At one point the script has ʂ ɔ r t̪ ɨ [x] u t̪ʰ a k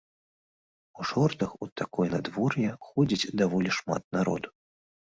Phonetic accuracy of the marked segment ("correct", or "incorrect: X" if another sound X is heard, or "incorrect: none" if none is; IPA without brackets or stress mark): correct